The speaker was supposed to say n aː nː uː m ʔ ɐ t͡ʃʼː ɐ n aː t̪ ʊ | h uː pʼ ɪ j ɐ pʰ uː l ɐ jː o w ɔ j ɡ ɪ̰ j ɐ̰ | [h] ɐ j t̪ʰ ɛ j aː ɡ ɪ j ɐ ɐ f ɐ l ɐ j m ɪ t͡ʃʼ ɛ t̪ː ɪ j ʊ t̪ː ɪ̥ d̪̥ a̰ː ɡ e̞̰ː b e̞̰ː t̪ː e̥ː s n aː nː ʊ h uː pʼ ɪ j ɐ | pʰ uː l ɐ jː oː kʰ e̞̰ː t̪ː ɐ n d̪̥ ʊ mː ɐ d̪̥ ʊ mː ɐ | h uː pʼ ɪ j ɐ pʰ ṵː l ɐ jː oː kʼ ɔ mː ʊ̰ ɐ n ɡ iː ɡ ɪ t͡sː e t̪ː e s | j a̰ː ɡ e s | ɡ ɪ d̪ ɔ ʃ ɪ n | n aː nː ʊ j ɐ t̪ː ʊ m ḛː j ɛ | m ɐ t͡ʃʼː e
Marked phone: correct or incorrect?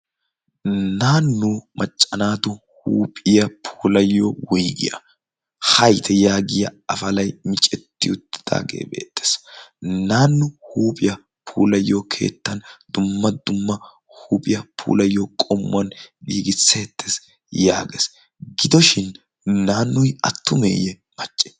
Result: correct